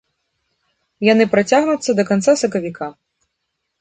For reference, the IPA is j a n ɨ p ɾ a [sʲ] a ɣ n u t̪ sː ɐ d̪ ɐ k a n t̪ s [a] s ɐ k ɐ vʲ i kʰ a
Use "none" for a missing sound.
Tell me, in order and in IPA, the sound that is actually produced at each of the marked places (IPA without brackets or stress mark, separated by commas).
t͡sʲ, a